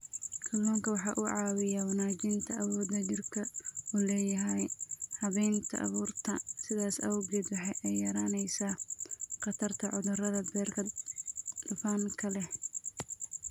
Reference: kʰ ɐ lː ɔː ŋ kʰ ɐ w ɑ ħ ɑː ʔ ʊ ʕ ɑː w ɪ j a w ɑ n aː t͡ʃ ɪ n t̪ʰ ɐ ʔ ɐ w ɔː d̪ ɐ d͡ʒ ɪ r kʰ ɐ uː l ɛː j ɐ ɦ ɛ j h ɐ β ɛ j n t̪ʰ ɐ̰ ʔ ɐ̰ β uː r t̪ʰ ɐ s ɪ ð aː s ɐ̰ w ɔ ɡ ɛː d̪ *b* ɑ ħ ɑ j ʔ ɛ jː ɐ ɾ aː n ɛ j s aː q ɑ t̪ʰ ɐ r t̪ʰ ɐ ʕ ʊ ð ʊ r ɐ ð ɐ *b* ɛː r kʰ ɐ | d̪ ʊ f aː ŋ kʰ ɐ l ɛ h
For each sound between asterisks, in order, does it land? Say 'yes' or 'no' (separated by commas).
no, yes